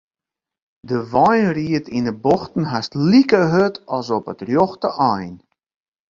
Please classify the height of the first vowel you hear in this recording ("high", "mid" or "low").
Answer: mid